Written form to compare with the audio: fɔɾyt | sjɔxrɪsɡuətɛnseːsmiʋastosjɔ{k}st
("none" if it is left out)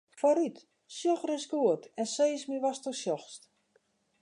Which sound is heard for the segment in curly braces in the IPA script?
x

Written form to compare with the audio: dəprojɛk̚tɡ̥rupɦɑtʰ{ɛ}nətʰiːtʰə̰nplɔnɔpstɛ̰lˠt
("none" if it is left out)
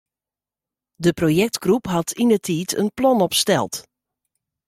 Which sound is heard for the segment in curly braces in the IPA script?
i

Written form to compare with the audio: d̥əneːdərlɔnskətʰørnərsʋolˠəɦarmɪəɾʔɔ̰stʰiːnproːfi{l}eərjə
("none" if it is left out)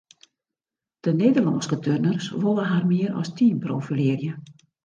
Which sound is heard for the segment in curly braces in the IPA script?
l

